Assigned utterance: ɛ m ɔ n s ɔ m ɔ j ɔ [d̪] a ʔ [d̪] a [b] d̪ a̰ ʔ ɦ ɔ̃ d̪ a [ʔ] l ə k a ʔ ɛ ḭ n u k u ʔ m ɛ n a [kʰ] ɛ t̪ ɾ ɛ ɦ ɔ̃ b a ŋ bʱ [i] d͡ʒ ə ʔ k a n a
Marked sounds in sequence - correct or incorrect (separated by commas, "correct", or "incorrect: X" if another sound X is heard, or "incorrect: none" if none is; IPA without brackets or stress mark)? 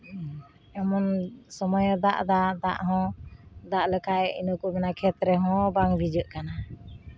correct, correct, incorrect: none, correct, correct, correct